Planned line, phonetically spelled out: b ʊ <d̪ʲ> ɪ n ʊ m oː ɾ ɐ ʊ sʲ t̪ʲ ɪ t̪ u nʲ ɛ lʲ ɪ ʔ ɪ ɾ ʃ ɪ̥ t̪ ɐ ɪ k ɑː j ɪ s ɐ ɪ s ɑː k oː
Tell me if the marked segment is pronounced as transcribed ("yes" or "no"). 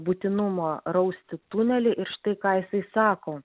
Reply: no